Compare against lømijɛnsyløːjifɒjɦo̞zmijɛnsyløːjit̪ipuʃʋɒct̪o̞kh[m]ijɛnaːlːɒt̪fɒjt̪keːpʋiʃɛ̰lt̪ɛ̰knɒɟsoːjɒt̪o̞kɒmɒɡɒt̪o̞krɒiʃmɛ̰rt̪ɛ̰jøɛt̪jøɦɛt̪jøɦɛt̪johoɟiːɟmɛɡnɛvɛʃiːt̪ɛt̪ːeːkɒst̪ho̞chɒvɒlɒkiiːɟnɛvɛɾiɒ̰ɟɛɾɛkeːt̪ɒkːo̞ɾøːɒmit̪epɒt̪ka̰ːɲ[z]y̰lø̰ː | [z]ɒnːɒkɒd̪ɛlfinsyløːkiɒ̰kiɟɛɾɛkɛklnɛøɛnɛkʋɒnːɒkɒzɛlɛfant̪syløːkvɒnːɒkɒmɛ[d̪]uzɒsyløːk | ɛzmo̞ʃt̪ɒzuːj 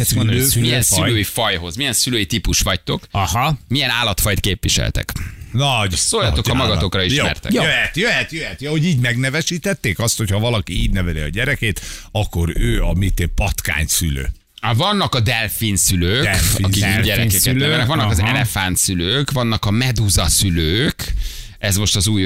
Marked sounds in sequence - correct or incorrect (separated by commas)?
correct, incorrect, incorrect, correct